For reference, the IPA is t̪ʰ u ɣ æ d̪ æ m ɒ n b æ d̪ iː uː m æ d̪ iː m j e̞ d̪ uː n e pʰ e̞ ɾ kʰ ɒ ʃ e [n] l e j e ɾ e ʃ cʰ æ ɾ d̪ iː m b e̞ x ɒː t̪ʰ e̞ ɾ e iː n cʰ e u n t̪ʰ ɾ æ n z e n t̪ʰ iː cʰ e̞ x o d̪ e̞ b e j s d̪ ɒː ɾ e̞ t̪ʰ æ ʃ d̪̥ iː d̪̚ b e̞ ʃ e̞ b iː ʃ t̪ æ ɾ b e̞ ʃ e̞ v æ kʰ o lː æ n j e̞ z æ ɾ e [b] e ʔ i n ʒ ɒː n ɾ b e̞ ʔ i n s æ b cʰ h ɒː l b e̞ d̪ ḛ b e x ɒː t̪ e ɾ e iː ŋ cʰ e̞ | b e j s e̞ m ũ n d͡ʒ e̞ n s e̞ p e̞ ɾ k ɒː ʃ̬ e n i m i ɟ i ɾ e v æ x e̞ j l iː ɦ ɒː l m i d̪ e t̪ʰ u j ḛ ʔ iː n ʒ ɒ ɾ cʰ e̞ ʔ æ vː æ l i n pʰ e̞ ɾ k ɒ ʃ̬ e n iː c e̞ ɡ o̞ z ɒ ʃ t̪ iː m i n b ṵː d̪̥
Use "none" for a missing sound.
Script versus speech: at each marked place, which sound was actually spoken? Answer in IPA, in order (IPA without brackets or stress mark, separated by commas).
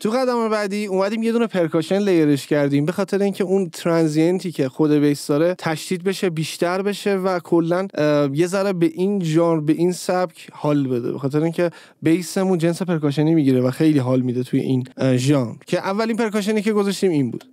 n, b